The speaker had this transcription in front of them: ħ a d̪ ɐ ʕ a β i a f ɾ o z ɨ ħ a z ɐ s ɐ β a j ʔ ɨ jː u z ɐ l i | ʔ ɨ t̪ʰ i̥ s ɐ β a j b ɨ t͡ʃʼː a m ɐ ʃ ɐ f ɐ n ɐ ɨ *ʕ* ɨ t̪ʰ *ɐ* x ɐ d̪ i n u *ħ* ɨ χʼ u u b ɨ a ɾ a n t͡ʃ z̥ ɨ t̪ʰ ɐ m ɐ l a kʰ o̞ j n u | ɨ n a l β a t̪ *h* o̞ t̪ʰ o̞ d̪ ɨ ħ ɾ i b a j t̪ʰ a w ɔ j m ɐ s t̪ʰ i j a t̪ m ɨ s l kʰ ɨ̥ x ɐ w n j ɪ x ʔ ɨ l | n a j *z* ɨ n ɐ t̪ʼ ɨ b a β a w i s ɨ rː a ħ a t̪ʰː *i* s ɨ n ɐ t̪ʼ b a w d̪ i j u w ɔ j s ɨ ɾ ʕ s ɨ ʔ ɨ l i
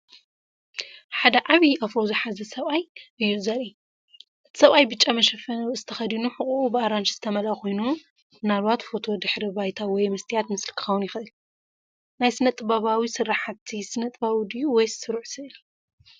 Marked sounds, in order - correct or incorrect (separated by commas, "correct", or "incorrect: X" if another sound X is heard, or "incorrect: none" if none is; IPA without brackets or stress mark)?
incorrect: z, correct, correct, incorrect: f, incorrect: s, correct